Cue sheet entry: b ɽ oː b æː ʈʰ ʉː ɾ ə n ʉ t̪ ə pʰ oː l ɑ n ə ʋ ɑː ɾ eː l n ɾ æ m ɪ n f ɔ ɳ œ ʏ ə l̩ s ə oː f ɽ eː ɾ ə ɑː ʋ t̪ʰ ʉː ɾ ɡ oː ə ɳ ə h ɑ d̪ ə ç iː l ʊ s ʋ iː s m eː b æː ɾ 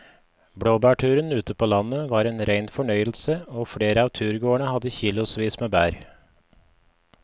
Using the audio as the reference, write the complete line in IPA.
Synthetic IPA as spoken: b ɽ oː b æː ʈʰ ʉː ɾ ə n ʉː t̪ ə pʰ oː l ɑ n ə ʋ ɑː ɾ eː n ɾ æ ɪ n f ɔ ɳ œ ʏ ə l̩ s ə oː f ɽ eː ɾ ə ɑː ʋ t̪ʰ ʉː ɾ ɡ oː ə ɳ ə h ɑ d̪ ə ç iː l ʊ s ʋ iː s m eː b æː ɾ

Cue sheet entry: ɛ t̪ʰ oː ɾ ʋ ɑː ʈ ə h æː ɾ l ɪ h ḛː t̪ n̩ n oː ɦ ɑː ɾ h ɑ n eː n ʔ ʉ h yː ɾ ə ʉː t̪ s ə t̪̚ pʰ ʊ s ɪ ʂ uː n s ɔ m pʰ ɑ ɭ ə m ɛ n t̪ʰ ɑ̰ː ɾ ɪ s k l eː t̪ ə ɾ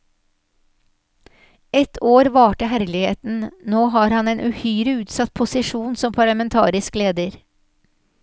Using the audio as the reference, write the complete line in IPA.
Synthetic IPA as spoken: ɛ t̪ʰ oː ɾ ʋ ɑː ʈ ə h æ ɾ l ɪ h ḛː t̪ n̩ n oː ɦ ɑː ɾ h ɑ n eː n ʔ ʉ h yː ɾ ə ʉː t̪ s ɑ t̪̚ pʰ ʊ s ɪ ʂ uː n s ɔ m pʰ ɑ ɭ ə m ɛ n t̪ʰ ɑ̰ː ɾ ɪ s k l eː d̪ ə ɾ

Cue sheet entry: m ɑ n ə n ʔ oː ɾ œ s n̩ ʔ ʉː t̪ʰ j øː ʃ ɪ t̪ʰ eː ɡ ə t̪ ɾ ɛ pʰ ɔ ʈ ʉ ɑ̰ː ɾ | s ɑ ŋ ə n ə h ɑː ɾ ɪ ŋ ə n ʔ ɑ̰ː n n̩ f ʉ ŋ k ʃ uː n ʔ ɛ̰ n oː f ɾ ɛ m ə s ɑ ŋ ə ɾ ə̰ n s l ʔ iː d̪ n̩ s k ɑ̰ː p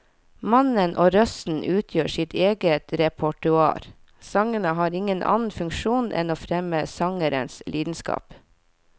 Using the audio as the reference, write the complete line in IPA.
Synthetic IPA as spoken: m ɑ n ə n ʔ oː ɾ œ s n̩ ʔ ʉː t̪ʰ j øː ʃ ɪ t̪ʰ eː ɡ ə t̪ ɾ ɛ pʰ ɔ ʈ ʉ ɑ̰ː ɾ | s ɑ ŋ ə n ə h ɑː ɾ ɪ ŋ ə n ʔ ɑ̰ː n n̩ f ʉ ŋ k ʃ uː n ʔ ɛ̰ n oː f ɾ ɛ m ə s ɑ ŋ ə ɾ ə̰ n s l ʔ iː d̪ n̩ s k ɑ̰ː p

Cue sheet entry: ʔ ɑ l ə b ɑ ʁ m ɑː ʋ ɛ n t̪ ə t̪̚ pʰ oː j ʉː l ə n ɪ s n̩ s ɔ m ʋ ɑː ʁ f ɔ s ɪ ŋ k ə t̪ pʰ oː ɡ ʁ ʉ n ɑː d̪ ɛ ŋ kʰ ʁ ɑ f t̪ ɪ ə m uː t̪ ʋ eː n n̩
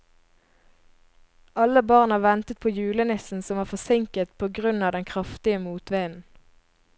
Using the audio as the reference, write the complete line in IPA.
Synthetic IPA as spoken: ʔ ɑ l ə b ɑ ʁ n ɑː ʋ ɛ n t̪ ə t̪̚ pʰ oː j ʉː l ə n ɪ s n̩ s ɔ m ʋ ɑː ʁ f ɔ s ɪ ŋ k ə t̪ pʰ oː ɡ ʁ ʉ n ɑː d̪ ɛ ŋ kʰ ʁ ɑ f t̪ ɪ ə m uː t̪ ʋ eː n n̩

